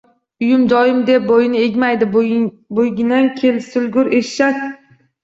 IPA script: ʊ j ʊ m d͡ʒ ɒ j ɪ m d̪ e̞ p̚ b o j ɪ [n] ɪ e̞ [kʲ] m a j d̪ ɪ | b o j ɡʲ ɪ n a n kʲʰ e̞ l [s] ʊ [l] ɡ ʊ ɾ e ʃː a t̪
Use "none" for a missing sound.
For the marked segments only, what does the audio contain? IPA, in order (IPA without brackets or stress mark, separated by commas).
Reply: n, ɡʲ, s, l